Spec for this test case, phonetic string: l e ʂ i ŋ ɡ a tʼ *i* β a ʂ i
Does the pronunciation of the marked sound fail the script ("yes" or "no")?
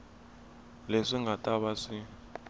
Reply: yes